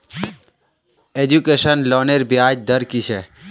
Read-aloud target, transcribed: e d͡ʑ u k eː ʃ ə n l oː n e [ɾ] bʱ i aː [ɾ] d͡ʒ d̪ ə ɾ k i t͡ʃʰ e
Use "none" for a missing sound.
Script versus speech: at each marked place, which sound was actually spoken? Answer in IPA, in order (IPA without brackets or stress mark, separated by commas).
ɾ, none